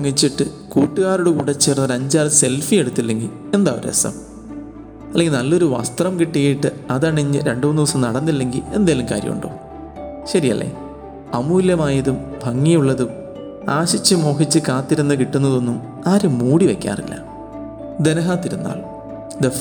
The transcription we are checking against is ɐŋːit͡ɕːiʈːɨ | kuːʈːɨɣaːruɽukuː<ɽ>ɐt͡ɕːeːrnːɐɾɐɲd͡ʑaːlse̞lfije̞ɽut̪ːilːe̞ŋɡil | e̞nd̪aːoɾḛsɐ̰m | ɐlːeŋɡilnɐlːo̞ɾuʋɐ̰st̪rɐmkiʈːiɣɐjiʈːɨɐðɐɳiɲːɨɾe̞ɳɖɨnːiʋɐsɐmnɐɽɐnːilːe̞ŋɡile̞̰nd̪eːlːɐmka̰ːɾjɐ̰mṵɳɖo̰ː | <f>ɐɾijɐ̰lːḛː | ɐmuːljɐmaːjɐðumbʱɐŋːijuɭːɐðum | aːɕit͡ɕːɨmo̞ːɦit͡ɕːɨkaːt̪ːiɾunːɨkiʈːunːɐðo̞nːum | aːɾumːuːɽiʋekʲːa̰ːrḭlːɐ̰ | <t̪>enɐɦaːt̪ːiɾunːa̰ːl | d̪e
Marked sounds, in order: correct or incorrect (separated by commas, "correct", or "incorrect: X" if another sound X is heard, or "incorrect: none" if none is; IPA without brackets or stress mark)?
correct, incorrect: ɕ, incorrect: d̪